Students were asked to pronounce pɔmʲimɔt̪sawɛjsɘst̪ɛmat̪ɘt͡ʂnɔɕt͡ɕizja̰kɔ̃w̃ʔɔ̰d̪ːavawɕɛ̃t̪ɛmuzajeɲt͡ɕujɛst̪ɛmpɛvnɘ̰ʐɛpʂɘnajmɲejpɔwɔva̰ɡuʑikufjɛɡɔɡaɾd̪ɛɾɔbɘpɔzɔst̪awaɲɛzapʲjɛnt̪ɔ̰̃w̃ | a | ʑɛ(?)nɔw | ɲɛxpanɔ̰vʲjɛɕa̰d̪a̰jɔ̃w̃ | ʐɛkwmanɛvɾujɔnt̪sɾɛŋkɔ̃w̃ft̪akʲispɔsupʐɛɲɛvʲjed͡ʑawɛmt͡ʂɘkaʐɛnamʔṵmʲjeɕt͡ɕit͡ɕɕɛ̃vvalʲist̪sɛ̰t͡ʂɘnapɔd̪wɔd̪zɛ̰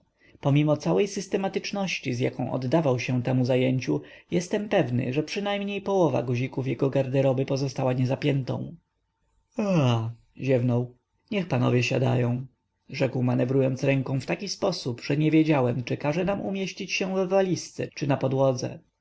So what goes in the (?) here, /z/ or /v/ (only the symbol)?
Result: v